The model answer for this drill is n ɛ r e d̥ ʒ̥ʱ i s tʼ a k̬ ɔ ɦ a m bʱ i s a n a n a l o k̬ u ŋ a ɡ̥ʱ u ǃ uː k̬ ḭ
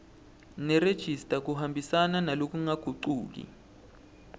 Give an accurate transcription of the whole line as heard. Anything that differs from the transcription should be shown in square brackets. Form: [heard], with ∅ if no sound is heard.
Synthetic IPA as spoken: n ɛ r e d̥ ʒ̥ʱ i s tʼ a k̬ [u] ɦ a m bʱ i s a n a n a l o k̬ u ŋ a ɡ̥ʱ u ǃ uː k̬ ḭ